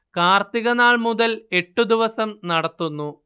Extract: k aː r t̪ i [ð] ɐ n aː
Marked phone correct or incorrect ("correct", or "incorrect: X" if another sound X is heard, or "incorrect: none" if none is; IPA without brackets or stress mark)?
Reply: incorrect: ɣ